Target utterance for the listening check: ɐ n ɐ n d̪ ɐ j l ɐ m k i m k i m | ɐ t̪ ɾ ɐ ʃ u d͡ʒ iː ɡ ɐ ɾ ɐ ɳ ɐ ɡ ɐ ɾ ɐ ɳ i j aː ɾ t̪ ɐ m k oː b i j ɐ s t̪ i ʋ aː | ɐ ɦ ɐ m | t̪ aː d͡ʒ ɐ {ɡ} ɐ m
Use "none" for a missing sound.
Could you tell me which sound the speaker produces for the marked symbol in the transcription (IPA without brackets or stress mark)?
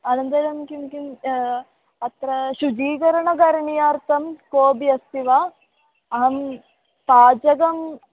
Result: ɡ